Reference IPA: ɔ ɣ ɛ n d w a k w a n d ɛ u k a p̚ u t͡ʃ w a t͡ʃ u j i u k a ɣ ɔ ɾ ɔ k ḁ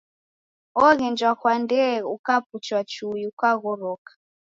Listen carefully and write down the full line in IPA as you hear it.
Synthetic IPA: ɔ ɣ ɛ n d͡ʒ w a k w a n d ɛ u k a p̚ u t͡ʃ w a t͡ʃ u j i u k a ɣ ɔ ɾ ɔ k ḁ